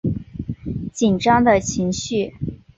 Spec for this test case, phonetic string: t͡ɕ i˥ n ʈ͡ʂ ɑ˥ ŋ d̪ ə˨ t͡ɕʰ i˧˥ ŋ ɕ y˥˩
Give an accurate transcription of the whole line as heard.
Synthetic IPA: t͡ɕ i˨˩ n ʈ͡ʂ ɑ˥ ŋ d̪ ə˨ t͡ɕʰ i˧˥ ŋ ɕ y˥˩